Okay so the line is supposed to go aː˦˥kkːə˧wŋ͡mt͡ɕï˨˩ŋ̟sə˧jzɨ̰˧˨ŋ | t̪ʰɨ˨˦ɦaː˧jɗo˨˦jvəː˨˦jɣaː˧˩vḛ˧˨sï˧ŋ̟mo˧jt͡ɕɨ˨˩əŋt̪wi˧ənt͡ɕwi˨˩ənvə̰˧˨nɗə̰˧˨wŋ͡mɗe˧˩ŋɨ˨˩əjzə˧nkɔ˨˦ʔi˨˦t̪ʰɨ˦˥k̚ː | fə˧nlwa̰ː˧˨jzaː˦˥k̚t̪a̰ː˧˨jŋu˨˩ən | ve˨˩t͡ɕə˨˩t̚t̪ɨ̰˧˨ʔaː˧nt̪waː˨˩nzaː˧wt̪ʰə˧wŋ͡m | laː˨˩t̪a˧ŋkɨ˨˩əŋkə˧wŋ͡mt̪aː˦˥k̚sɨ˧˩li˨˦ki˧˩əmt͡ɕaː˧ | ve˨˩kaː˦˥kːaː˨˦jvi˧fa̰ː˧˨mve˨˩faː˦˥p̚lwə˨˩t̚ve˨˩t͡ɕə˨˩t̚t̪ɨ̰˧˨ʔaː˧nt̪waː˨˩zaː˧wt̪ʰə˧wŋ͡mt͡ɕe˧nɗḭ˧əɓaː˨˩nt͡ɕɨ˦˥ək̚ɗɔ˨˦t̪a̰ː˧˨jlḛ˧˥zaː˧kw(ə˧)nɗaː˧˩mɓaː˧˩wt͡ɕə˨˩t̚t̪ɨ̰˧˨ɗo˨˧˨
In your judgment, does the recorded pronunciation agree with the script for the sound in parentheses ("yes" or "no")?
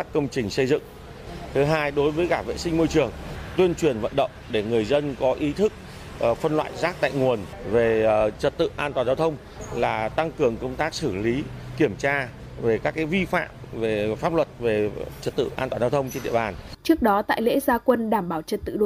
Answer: yes